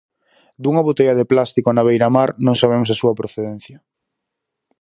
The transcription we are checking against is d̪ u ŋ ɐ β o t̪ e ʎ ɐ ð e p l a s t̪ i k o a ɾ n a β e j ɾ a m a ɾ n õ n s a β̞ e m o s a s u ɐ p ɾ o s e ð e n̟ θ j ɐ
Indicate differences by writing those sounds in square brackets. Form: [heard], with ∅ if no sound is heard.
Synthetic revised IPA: d̪ u ŋ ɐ β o t̪ e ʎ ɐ ð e p l a s t̪ i k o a [∅] n a β e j ɾ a m a ɾ n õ [ŋ] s a β̞ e m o s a s u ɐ p ɾ o [θ] e ð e n̟ θ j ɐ

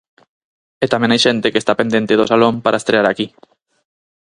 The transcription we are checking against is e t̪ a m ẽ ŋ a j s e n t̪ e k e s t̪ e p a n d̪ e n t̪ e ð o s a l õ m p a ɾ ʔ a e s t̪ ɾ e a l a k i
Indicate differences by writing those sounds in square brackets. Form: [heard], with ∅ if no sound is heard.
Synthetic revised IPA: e t̪ a m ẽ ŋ a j [ʃ] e n t̪ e k e s t̪ [a] p [e] n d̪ e n t̪ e ð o s a l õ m p a ɾ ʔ a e s t̪ ɾ e a [ɾ] a k i

